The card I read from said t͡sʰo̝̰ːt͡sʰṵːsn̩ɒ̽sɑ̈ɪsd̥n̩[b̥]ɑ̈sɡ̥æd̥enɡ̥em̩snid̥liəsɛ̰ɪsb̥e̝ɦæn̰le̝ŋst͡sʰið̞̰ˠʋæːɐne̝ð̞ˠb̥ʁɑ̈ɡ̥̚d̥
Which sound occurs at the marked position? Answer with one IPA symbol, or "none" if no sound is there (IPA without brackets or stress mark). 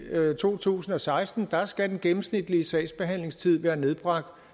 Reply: d̥